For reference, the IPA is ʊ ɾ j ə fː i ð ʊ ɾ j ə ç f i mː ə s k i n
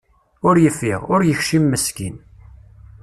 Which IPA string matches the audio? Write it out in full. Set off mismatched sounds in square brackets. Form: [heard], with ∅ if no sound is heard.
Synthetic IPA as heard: ʊ ɾ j ə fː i [ʁ] ʊ ɾ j ə ç [ʃ] i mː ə s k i n